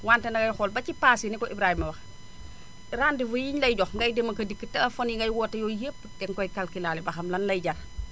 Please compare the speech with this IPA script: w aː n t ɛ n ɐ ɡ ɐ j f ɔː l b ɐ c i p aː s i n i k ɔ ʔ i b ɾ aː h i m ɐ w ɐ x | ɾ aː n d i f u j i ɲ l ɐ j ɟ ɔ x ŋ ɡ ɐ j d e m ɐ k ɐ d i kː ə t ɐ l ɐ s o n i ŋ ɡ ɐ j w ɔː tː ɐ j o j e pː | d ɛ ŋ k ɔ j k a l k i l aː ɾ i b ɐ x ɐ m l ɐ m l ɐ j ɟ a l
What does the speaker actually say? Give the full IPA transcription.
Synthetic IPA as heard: w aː n t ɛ n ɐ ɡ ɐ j x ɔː l b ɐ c i p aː s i n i k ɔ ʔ i b ɾ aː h i m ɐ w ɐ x | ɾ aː n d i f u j i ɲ l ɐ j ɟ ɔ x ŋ ɡ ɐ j d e m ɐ k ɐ d i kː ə t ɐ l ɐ f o n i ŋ ɡ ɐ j w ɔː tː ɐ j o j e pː | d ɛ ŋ k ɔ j k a l k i l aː l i b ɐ x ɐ m l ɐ n l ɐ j ɟ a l